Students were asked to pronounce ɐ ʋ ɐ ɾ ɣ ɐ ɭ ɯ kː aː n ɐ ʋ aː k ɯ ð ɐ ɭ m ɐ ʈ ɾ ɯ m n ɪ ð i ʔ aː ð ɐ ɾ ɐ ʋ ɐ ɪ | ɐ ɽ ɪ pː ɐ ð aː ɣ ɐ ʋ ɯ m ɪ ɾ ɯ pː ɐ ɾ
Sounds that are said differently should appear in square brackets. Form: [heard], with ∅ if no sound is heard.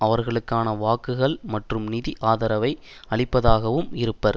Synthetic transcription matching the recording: ɐ ʋ ɐ ɾ ɣ ɐ ɭ ɯ kː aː n ɐ ʋ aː k ɯ [ɣ] ɐ ɭ m ɐ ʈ [r] ɯ m n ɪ ð i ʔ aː ð ɐ ɾ ɐ ʋ ɐ ɪ | ɐ [ɭ] ɪ pː ɐ ð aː ɣ ɐ ʋ ɯ m ɪ ɾ ɯ pː ɐ ɾ